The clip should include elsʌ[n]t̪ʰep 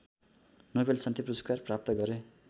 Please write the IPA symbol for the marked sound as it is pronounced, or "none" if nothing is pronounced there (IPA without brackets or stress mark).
n